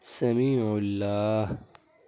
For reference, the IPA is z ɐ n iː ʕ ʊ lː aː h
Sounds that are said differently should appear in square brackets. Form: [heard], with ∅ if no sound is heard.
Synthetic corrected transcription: [s] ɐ [m] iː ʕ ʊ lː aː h